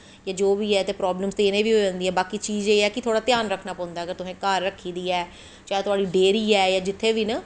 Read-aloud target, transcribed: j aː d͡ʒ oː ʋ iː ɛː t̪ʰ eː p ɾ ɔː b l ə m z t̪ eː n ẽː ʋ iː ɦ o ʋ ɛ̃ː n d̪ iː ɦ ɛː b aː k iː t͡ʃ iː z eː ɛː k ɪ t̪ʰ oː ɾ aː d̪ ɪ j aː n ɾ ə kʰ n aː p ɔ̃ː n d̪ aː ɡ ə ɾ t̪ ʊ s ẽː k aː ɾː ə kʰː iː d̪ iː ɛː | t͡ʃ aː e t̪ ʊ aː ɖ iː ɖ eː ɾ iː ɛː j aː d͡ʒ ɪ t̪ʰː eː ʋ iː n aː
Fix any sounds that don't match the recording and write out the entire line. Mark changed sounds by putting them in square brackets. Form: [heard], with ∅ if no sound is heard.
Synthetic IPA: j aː d͡ʒ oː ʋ iː ɛː [t̪] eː p ɾ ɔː b l ə m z t̪ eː n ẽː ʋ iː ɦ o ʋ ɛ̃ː n d̪ iː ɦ ɛː b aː k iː t͡ʃ iː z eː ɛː k ɪ t̪ʰ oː [ɽ] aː [t̪] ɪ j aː n ɾ ə kʰ n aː p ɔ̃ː n d̪ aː ɡ ə ɾ t̪ ʊ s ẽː k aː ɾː ə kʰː iː d̪ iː ɛː | t͡ʃ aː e t̪ ʊ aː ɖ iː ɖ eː ɾ iː ɛː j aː d͡ʒ ɪ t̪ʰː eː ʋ iː n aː